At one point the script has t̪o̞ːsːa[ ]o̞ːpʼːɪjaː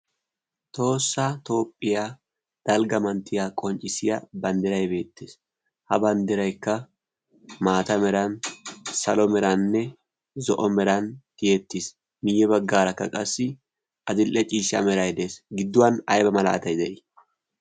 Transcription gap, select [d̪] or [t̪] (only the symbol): t̪